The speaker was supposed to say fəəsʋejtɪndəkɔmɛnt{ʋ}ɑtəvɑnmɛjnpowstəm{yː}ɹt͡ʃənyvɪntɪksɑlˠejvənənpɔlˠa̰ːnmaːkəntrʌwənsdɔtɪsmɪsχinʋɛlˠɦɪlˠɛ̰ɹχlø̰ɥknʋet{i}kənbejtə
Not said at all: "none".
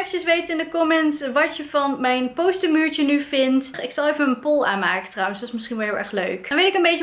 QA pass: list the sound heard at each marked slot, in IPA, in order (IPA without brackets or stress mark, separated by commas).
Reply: ʋ, yː, ɪ